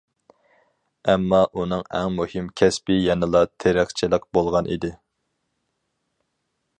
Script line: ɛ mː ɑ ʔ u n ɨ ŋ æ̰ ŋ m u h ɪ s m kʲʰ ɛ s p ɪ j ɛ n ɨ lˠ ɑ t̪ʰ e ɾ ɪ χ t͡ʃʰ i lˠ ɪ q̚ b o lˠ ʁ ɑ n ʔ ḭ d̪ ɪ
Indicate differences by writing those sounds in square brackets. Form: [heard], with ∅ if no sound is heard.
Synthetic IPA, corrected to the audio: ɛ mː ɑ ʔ u n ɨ ŋ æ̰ ŋ m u h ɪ [∅] m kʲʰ ɛ s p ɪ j ɛ n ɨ lˠ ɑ t̪ʰ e ɾ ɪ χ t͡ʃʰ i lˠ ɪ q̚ b o lˠ ʁ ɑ n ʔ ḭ d̪ ɪ

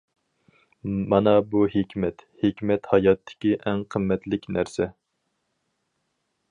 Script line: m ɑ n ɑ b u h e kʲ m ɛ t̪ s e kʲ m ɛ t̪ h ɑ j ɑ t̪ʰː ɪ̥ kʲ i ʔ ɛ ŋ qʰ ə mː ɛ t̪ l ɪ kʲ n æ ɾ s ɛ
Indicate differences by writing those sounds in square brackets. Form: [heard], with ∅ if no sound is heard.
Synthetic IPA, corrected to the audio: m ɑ n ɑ b u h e kʲ m ɛ t̪ [h] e kʲ m ɛ t̪ h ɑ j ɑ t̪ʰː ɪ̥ kʲ i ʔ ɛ ŋ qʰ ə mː ɛ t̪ l ɪ kʲ n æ ɾ s ɛ

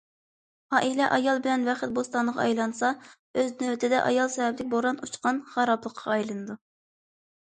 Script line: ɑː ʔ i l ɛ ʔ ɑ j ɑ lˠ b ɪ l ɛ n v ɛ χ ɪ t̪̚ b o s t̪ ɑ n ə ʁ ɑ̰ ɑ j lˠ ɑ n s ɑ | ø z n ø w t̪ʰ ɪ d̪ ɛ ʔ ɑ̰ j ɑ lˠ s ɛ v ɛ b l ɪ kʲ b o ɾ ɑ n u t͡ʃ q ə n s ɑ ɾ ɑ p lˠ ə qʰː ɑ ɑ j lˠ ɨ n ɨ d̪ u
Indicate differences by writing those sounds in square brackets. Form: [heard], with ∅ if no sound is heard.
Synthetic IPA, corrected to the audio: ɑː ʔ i l ɛ ʔ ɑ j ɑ lˠ b ɪ l ɛ n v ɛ χ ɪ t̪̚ b o s t̪ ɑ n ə ʁ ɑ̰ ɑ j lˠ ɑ n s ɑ | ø z n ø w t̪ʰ ɪ d̪ ɛ ʔ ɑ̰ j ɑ lˠ s ɛ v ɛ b l ɪ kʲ b o ɾ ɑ n u t͡ʃ q [ɑ] n [χ] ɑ ɾ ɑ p lˠ ə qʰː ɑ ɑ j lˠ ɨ n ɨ d̪ u

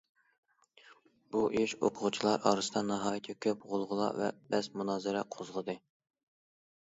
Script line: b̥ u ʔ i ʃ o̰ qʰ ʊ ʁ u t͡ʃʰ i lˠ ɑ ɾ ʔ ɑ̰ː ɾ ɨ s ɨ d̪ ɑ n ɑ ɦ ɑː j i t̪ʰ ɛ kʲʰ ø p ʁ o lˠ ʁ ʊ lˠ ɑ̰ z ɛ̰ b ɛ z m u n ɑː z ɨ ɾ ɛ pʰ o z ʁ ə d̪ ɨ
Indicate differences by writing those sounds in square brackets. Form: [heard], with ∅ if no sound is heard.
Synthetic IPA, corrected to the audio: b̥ u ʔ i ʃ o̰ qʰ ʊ ʁ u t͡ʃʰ i lˠ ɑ ɾ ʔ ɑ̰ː ɾ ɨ s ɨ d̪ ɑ n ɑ ɦ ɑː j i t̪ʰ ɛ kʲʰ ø p ʁ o lˠ ʁ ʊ lˠ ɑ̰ [v] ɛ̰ b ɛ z m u n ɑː z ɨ ɾ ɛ [qʰ] o z ʁ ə d̪ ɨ

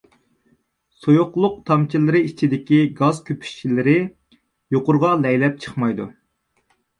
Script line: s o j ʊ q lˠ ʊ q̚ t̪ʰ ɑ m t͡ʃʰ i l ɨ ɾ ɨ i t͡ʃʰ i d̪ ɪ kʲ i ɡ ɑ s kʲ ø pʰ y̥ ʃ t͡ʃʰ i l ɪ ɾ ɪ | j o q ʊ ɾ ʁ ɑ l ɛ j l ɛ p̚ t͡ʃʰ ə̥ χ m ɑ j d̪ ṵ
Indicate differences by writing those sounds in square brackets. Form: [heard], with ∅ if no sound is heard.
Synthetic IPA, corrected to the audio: s o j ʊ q lˠ ʊ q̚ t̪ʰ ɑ m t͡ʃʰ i l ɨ ɾ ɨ i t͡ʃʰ i d̪ ɪ kʲ i ɡ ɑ [z] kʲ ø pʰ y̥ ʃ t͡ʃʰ i l ɪ ɾ ɪ | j o q ʊ ɾ ʁ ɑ l ɛ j l ɛ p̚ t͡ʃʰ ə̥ χ m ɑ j d̪ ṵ

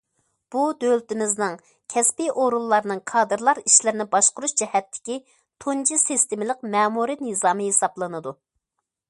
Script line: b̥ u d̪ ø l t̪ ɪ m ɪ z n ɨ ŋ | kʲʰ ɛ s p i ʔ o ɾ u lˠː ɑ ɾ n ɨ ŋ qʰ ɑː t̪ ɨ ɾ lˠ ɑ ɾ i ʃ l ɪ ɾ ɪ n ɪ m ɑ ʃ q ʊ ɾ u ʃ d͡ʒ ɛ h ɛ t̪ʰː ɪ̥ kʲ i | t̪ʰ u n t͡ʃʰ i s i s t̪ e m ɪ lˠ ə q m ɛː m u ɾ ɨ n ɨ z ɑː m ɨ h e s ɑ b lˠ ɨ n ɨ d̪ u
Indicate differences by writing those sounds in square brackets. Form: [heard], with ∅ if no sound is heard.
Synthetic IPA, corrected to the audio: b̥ u d̪ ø l t̪ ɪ m ɪ z n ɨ ŋ | kʲʰ ɛ s p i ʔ o ɾ u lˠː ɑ ɾ n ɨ ŋ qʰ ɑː [d̪] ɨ ɾ lˠ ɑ ɾ i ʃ l ɪ ɾ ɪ n ɪ [b] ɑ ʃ q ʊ ɾ u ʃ d͡ʒ ɛ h ɛ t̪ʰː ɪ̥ kʲ i | t̪ʰ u n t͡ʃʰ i s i s t̪ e m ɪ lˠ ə q m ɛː m u ɾ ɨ n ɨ z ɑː m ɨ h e s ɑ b lˠ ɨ n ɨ d̪ u

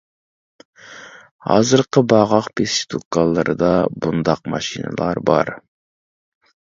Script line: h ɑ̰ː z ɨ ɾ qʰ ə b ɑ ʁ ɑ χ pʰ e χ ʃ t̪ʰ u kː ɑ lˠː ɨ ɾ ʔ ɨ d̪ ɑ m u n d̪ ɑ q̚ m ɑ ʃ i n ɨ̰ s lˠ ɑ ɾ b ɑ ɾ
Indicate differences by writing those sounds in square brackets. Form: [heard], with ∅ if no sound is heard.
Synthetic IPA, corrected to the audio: h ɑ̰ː z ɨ ɾ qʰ ə b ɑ ʁ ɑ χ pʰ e [s] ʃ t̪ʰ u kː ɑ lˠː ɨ ɾ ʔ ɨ d̪ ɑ [b] u n d̪ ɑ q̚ m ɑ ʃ i n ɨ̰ [∅] lˠ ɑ ɾ b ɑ ɾ

